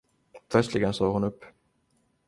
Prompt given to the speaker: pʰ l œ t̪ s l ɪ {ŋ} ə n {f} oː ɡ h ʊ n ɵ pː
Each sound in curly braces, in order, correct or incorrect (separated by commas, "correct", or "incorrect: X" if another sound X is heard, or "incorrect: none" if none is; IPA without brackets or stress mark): incorrect: ɡ, incorrect: s